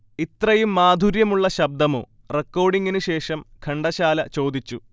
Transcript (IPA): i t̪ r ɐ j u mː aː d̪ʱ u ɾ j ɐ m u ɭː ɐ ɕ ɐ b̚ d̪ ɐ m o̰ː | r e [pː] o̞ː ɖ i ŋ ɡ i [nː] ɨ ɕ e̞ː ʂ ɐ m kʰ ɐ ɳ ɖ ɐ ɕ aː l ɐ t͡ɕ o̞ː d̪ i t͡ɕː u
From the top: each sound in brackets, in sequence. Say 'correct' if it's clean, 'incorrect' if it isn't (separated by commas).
incorrect, incorrect